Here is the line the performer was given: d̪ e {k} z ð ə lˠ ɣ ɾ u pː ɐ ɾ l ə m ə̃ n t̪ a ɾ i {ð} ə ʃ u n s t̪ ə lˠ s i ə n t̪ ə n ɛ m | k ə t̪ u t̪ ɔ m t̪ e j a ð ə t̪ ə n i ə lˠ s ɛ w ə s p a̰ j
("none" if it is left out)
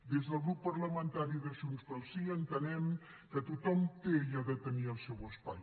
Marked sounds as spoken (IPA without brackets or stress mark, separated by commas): none, ð